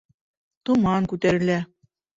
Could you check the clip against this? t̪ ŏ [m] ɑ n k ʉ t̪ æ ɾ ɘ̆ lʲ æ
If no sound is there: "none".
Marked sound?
m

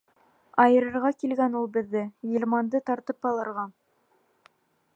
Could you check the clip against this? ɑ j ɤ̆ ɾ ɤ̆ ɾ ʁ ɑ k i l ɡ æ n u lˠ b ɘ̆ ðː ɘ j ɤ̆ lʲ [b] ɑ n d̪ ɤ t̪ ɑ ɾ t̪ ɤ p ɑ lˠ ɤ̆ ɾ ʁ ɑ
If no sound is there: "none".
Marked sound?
m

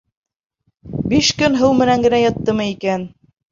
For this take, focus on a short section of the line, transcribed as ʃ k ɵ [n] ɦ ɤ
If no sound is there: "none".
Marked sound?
n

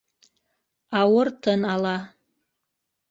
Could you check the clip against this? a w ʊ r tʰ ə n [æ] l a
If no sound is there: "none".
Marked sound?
a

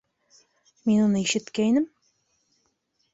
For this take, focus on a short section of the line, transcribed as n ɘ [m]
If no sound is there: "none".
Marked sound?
m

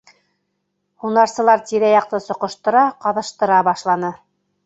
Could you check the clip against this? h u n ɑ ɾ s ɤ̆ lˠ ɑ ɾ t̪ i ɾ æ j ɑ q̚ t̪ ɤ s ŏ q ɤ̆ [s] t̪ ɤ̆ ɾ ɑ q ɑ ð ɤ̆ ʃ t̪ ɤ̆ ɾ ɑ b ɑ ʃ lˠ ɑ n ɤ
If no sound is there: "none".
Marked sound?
ʃ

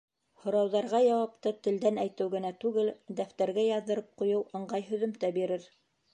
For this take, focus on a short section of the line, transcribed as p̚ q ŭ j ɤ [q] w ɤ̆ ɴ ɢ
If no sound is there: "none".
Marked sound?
none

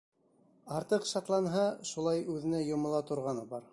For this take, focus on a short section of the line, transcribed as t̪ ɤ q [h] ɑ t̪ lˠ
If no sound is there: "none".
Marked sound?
ʃ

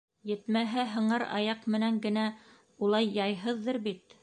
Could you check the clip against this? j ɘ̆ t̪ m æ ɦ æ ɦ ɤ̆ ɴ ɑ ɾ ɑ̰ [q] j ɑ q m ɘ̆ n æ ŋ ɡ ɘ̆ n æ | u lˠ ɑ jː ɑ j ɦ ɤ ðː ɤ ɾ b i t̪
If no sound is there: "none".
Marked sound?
none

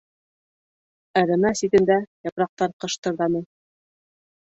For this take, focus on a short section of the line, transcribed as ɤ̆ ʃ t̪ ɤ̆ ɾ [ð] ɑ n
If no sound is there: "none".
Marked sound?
ð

